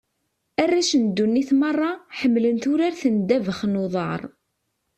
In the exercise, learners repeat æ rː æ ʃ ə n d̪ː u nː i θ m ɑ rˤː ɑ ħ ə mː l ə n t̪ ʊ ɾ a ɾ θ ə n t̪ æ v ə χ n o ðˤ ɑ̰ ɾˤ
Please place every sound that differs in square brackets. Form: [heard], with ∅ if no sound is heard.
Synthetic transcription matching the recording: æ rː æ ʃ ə n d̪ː u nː i θ m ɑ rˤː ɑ ħ ə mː l ə n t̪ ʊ ɾ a ɾ θ ə n [d̪] æ v ə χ n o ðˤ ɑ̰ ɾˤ